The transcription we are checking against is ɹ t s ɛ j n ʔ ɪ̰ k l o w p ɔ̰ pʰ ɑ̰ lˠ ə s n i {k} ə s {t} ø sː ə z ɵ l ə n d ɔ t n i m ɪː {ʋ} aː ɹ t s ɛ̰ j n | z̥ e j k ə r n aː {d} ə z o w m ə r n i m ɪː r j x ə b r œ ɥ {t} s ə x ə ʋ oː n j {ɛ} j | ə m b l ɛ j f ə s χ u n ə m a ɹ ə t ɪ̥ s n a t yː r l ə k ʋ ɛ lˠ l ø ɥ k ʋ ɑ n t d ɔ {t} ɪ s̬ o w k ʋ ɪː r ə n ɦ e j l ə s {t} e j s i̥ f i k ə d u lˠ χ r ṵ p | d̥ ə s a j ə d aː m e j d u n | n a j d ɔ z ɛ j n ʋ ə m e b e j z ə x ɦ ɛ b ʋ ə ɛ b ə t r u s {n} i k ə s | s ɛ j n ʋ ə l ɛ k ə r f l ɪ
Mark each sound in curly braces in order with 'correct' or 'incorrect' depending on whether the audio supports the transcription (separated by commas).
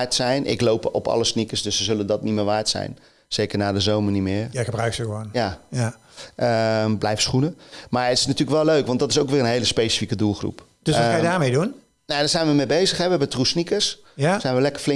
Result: correct, incorrect, correct, correct, incorrect, incorrect, correct, incorrect, correct